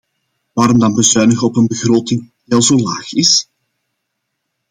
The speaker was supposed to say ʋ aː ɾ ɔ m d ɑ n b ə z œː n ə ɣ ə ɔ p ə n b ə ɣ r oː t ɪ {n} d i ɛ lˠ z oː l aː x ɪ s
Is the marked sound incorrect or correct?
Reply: incorrect